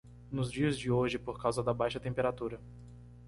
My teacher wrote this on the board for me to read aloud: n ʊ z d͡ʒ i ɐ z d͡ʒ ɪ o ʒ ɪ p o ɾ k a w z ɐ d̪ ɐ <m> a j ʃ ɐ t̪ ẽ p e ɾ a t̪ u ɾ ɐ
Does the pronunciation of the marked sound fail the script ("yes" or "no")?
yes